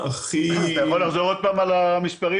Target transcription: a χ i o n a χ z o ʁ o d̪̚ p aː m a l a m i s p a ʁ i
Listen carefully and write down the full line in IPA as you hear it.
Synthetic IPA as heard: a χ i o n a χ z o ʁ o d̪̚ p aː m a l a m i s p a ʁ i